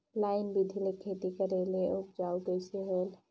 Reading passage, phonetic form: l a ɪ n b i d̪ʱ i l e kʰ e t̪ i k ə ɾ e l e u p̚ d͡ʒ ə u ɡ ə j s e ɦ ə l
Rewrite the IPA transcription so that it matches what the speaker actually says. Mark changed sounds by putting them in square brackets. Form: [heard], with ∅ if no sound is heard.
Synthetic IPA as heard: l a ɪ n b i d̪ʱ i l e kʰ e t̪ i k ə ɾ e l e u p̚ d͡ʒ [a] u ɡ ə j s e ɦ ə l